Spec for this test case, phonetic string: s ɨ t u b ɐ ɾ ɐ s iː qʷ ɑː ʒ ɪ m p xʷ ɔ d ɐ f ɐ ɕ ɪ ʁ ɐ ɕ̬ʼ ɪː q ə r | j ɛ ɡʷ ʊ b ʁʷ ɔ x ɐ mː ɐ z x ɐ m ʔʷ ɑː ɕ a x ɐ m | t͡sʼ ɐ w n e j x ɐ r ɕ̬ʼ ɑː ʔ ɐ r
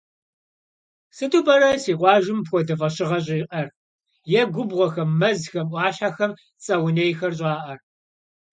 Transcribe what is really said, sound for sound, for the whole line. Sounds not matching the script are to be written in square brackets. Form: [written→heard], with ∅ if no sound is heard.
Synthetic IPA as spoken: s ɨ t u b ɐ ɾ ɐ s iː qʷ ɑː ʒ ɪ m p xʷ ɔ d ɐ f ɐ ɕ ɪ ʁ ɐ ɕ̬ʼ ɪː q [ə→ɐ] r | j ɛ ɡʷ ʊ b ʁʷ ɔ x ɐ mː ɐ z x ɐ m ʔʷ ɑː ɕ a x ɐ m | t͡sʼ ɐ w n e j x ɐ r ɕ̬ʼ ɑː ʔ ɐ r